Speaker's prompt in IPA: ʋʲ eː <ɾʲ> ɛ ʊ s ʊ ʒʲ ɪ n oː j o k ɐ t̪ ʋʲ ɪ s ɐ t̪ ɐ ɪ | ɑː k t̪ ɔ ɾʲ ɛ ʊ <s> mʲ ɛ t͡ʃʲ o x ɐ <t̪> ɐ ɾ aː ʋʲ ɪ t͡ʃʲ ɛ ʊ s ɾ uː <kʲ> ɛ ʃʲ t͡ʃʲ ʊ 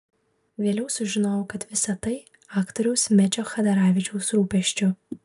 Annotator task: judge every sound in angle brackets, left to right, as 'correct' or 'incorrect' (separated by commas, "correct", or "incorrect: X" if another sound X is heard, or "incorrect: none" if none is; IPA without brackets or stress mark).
incorrect: lʲ, correct, incorrect: d̪, incorrect: pʲ